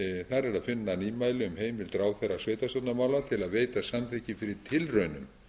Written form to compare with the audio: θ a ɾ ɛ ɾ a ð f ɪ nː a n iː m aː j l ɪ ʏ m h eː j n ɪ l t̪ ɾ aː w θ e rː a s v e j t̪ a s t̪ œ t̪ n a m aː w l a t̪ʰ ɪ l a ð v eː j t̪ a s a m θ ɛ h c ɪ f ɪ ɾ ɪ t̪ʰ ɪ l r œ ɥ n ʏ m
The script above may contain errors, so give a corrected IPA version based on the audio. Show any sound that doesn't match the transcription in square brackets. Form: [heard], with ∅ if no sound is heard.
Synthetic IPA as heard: θ a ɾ ɛ ɾ a ð f ɪ nː a n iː m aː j l ɪ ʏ m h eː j [m] ɪ l t̪ ɾ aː w θ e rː a s v e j t̪ a s t̪ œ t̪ n a m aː w l a t̪ʰ ɪ l a ð v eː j t̪ a s a m θ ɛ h c ɪ f ɪ ɾ ɪ t̪ʰ ɪ l r œ ɥ n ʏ m